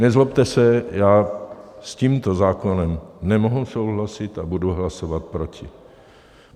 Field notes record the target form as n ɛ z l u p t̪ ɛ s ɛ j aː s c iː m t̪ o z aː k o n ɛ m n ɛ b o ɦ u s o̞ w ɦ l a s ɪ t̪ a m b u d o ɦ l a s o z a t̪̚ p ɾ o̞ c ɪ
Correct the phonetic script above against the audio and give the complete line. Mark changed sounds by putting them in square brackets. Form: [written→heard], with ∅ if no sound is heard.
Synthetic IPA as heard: n ɛ z l [u→o] p t̪ ɛ s ɛ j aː s c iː m t̪ o z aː k o n ɛ m n ɛ [b→m] o ɦ u s o̞ w ɦ l a s ɪ t̪ a [m→∅] b u d [o→u] ɦ l a s o [z→v] a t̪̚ p ɾ o̞ c ɪ